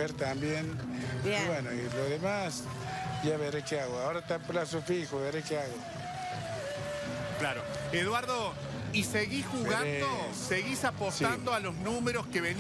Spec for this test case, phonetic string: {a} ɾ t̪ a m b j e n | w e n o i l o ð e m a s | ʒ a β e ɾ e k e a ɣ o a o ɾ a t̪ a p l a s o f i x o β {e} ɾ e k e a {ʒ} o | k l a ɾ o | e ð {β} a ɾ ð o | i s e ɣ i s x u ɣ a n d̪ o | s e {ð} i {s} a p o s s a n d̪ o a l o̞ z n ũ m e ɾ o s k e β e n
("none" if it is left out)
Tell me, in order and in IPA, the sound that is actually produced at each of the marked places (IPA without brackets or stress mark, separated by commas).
e, e, ɣ, w, ɣ, s